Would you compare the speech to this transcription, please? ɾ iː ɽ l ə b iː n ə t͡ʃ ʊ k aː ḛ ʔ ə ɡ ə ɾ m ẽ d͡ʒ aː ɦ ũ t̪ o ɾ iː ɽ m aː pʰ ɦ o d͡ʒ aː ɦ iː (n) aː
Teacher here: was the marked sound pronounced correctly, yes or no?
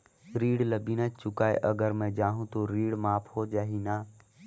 yes